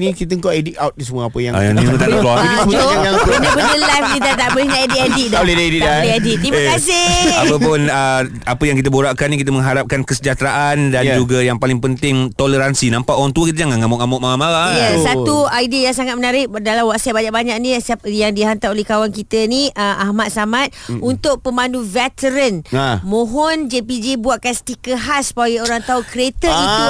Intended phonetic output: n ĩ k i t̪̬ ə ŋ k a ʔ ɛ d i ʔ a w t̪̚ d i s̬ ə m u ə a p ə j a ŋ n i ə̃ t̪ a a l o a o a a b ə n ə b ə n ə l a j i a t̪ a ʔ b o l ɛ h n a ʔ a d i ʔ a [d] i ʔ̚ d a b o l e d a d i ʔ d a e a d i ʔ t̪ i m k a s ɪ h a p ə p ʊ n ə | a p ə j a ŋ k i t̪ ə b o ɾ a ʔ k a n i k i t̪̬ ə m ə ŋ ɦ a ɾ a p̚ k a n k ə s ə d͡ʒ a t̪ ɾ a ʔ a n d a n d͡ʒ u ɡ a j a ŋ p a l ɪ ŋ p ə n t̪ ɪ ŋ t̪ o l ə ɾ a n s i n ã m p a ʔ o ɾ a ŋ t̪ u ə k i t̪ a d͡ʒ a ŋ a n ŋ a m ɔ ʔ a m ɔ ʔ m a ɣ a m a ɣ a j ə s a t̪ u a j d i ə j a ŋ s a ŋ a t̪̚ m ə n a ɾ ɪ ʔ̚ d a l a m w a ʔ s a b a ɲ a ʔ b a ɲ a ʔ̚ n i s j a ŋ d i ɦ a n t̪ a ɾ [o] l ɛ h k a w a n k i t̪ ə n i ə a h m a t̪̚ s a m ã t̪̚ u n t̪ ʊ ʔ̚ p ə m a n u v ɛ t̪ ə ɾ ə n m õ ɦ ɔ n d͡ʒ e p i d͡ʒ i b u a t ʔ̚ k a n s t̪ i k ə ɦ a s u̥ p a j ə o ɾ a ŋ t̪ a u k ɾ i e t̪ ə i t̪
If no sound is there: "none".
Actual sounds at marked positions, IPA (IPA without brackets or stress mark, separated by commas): d, o